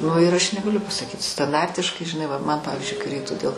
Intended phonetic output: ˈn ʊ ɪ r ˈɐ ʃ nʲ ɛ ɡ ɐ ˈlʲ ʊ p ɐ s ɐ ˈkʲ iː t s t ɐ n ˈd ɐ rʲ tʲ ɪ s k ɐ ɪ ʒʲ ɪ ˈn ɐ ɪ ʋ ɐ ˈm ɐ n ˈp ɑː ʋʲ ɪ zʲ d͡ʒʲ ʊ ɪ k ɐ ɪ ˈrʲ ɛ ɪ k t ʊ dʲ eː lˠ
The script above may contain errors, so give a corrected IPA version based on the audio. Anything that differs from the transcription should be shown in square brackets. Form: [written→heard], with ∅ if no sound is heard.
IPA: ˈn ʊ ɪ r ˈɐ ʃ nʲ ɛ ɡ ɐ ˈlʲ ʊ p ɐ s ɐ ˈkʲ iː t s t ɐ n ˈd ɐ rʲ tʲ ɪ [s→ʃ] k ɐ ɪ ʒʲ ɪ ˈn ɐ ɪ ʋ ɐ ˈm ɐ n ˈp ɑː ʋʲ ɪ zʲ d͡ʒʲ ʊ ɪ k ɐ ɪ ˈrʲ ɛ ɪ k t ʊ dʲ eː lˠ